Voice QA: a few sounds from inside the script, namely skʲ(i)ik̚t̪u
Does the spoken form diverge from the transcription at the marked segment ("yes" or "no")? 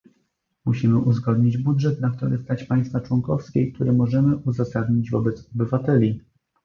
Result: yes